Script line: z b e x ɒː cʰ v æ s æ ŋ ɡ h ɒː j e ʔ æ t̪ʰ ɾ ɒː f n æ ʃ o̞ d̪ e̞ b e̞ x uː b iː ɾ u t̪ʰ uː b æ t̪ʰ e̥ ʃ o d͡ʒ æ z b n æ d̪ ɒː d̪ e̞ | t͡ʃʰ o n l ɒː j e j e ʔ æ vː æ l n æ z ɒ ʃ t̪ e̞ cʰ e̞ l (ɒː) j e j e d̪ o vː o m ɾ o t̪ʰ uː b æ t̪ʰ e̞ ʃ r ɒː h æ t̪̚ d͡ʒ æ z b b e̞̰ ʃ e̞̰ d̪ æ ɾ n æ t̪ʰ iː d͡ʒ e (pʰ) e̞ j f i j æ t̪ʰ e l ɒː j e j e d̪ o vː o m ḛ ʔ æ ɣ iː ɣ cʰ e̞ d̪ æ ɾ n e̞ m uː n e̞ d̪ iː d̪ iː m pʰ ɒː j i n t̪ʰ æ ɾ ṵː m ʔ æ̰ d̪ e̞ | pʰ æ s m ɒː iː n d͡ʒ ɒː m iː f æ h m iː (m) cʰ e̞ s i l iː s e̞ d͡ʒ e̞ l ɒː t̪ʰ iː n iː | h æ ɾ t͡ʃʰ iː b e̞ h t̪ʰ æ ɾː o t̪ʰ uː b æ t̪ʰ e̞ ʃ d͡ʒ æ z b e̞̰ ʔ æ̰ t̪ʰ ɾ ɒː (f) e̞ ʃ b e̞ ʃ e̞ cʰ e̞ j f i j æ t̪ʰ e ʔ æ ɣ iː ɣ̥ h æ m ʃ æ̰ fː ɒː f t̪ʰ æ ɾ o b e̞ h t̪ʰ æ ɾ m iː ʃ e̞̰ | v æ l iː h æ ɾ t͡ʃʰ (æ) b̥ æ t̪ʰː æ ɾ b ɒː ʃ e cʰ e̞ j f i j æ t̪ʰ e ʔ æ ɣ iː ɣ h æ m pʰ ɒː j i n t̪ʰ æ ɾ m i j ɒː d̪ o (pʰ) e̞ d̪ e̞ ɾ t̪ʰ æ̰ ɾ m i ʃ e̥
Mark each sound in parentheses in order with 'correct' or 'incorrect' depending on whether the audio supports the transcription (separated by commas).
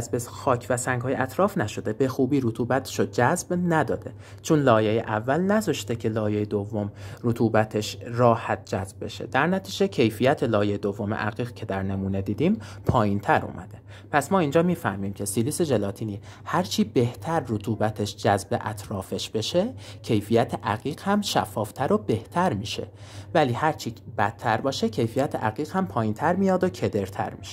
correct, incorrect, correct, correct, incorrect, incorrect